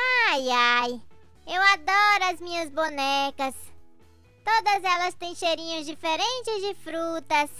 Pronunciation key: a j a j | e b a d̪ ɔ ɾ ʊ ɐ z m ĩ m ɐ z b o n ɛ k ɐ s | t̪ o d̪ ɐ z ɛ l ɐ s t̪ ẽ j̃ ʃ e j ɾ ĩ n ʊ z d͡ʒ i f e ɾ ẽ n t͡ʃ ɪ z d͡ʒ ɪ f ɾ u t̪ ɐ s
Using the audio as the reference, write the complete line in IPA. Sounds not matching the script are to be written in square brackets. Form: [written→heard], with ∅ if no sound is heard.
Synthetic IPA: a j a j | e [b→w] a d̪ ɔ ɾ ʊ ɐ z m ĩ [m→ɲ] ɐ z b o n ɛ k ɐ s | t̪ o d̪ ɐ z ɛ l ɐ s t̪ ẽ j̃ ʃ e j ɾ ĩ [n→ɲ] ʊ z d͡ʒ i f e ɾ ẽ n t͡ʃ ɪ z d͡ʒ ɪ f ɾ u t̪ ɐ s